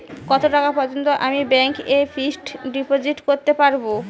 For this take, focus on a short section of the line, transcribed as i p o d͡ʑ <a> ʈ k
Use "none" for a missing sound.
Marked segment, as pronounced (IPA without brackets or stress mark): i